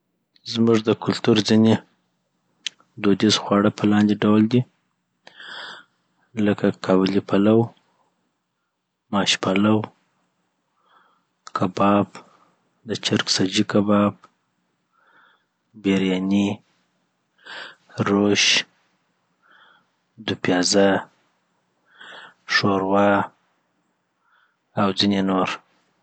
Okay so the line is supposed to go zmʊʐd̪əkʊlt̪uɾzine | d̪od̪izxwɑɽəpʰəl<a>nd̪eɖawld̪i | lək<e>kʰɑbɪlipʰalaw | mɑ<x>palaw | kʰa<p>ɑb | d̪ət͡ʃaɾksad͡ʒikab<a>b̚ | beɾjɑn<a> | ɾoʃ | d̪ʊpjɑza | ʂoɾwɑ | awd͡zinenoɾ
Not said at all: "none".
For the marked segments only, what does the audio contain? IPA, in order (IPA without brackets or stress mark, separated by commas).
ɑ, a, ʃ, b, ɑ, i